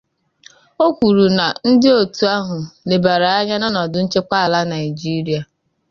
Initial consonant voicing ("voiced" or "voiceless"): voiceless